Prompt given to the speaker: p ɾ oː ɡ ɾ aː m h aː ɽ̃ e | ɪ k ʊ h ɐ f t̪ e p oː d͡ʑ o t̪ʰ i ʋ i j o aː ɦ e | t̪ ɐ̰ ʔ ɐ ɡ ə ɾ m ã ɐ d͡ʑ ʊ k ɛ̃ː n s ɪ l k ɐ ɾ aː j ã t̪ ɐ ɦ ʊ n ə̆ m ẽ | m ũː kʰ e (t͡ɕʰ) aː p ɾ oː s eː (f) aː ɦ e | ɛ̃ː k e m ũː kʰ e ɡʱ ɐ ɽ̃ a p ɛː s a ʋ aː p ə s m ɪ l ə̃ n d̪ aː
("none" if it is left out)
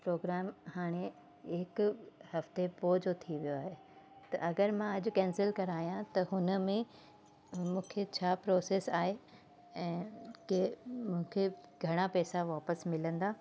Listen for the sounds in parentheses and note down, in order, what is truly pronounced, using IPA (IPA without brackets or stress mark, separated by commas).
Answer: t͡ɕʰ, s